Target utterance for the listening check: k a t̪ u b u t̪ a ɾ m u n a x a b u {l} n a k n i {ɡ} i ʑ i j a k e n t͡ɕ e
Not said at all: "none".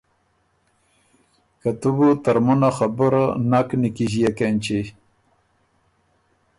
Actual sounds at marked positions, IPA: ɾ, k

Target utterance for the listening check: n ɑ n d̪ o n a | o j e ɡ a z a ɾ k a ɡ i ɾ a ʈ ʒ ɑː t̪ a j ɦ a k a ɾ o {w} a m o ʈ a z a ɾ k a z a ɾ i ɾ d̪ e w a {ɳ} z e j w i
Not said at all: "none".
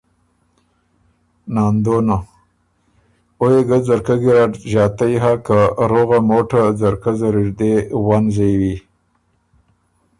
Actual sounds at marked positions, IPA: ɣ, n

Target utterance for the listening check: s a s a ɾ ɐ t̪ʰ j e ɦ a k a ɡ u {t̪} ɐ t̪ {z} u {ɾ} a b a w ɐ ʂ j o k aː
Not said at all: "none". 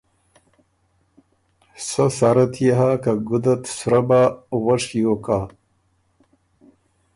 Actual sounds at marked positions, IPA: d̪, s, ɾ

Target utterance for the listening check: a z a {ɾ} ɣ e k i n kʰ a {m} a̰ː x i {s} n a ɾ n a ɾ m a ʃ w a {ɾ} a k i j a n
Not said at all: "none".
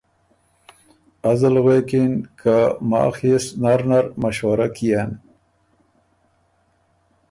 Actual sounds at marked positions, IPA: l, m, s, ɾ

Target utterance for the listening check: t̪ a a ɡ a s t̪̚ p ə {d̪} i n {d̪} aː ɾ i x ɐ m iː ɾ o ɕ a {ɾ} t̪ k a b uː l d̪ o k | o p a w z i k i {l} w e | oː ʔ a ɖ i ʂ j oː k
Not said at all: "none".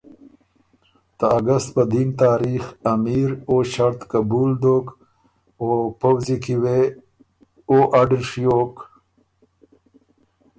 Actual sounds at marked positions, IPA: d̪, t̪, ɾ, none

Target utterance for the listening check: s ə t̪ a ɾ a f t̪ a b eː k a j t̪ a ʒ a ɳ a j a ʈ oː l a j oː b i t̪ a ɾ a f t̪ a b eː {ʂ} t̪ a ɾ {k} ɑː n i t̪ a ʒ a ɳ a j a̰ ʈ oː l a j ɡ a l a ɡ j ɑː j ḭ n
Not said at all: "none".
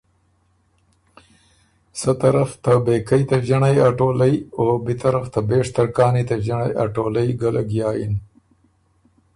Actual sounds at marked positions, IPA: ʂ, k

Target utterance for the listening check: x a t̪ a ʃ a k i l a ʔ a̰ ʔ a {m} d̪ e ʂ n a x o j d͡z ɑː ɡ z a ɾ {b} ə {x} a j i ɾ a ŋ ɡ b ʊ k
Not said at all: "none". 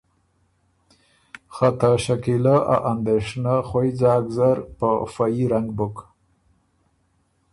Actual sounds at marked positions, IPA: n, p, f

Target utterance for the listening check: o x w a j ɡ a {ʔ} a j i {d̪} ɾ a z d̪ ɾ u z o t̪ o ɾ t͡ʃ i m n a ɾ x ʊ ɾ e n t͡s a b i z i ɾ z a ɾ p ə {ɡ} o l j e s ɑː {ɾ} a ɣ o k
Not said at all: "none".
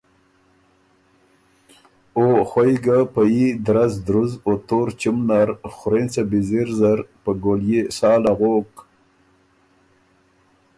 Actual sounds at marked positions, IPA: p, d̪, ɡ, l

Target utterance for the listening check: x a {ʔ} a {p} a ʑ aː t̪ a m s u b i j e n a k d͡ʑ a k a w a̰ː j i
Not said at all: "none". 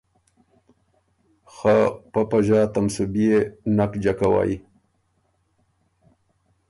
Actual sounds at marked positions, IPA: p, p

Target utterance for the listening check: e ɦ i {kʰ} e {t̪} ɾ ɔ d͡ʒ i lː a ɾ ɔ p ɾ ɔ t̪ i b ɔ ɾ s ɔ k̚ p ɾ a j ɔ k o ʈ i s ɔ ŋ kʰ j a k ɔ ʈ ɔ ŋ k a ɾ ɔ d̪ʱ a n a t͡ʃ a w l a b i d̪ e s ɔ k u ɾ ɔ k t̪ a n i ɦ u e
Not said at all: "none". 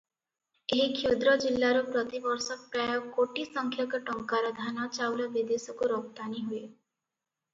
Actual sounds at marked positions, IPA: kʰ, d̪

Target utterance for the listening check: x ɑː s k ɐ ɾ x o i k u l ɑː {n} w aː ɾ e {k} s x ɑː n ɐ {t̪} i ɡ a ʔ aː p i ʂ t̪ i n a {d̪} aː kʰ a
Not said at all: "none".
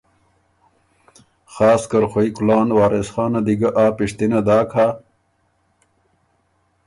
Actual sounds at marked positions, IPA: n, none, d̪, d̪

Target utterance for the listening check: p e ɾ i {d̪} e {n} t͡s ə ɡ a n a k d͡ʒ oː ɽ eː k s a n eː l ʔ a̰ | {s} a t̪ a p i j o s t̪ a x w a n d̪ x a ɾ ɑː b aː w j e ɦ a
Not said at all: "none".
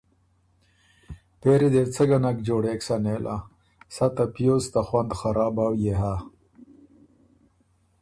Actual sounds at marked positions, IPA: d̪, none, s

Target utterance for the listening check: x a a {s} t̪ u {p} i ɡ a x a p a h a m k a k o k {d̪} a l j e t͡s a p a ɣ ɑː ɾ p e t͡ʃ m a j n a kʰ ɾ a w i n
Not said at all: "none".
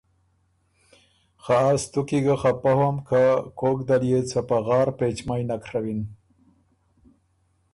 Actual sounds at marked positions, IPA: s, k, d̪

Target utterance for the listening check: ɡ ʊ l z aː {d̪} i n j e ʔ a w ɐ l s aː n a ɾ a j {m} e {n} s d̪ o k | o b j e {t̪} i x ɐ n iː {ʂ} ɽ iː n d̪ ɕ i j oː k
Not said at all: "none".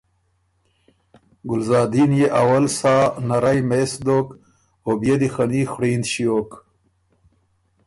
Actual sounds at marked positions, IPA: d̪, m, none, d̪, x

